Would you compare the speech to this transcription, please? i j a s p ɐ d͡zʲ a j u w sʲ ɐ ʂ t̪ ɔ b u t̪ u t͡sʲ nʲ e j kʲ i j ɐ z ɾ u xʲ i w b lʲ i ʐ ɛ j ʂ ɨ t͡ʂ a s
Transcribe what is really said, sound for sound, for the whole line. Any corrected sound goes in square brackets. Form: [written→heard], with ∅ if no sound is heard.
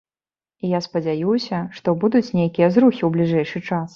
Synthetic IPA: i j a s p ɐ d͡zʲ a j u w sʲ ɐ ʂ t̪ ɔ b u [t̪→d̪] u t͡sʲ nʲ e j kʲ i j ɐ z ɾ u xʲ i w b lʲ i ʐ ɛ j ʂ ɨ t͡ʂ a s